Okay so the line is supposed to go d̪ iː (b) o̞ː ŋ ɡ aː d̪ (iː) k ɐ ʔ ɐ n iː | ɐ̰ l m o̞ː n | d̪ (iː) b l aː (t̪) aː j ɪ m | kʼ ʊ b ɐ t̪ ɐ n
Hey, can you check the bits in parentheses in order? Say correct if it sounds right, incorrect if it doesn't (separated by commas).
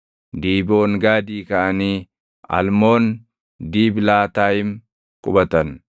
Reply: correct, correct, correct, correct